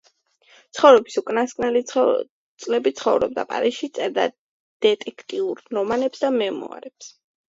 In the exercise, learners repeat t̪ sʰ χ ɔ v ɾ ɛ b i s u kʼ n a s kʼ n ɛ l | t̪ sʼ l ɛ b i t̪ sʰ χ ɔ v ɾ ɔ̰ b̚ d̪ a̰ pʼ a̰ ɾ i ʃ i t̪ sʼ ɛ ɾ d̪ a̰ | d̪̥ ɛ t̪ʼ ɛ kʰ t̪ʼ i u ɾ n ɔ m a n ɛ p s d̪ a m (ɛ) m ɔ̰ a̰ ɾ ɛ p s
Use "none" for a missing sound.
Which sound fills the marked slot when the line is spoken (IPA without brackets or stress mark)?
ɛ